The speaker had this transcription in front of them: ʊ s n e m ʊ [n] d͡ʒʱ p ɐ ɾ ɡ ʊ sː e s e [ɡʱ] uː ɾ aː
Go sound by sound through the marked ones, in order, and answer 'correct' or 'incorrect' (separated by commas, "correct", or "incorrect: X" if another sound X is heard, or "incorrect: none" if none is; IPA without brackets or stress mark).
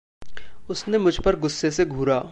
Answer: incorrect: none, correct